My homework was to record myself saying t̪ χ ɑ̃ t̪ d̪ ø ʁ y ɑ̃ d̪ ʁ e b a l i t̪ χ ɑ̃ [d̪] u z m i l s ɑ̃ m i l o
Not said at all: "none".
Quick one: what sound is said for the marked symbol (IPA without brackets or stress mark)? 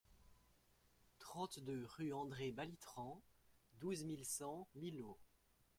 d̪